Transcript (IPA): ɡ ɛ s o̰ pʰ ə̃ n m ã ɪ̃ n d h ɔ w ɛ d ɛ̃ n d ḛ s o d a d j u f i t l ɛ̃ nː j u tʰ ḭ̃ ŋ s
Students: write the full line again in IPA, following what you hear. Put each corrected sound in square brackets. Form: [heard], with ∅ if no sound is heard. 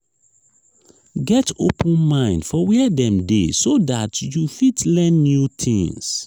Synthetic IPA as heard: ɡ ɛ [t] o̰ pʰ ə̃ n m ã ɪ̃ n d [f] ɔ w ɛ d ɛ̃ [m] d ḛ s o d a [t] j u f i t l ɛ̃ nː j u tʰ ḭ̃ ŋ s